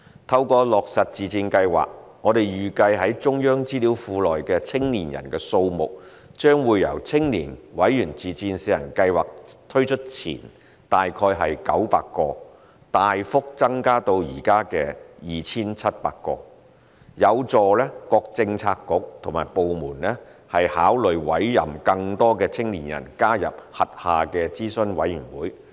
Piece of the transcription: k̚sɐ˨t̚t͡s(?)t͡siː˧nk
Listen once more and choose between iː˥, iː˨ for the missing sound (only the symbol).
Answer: iː˨